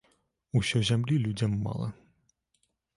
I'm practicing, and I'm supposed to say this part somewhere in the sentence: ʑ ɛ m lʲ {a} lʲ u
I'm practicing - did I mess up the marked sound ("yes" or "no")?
yes